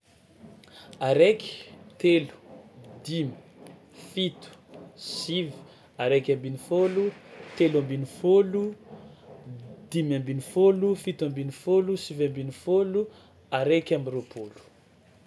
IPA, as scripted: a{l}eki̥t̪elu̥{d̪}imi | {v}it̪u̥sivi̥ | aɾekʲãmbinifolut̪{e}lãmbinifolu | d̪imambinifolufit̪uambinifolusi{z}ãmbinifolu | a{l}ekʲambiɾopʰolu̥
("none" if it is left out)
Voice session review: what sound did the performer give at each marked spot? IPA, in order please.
ɾ, d̪, f, e, v, ɾ

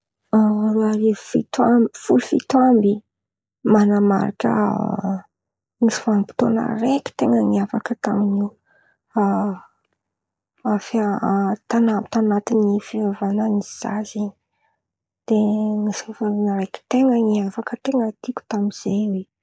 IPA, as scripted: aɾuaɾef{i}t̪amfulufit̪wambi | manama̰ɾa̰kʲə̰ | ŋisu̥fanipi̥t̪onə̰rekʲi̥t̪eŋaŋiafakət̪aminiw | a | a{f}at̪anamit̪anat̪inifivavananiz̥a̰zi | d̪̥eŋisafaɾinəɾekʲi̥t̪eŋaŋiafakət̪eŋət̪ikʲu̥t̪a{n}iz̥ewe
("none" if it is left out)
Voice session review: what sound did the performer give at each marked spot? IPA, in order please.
i, f, m

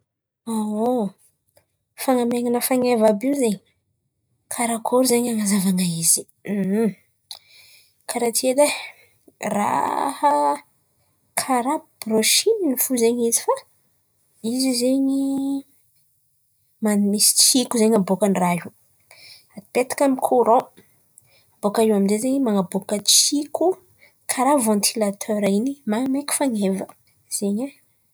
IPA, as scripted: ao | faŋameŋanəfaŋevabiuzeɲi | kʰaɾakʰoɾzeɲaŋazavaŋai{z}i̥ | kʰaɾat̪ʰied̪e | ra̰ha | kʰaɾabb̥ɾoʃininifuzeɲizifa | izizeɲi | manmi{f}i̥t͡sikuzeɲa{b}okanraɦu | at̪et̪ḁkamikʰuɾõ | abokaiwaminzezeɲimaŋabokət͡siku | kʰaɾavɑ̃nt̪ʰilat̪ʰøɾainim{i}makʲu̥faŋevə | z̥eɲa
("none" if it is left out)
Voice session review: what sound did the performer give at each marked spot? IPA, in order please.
z, s, b, a

